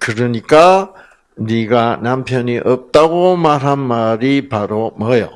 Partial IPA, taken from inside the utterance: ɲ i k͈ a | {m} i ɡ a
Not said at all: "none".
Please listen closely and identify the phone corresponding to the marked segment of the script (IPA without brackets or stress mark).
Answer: n